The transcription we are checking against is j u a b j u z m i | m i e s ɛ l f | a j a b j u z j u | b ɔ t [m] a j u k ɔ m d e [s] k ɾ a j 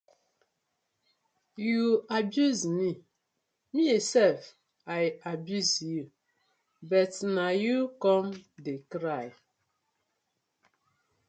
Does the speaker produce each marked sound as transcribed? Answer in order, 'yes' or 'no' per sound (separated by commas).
no, no